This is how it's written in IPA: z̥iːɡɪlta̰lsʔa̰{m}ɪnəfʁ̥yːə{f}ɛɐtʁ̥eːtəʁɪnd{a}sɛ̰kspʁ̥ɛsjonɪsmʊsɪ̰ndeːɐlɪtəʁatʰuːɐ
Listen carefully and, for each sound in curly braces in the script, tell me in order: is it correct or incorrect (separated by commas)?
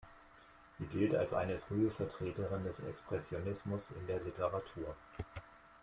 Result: incorrect, correct, incorrect